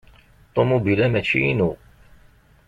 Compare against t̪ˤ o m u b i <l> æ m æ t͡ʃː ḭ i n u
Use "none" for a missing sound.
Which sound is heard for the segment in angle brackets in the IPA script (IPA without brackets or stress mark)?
l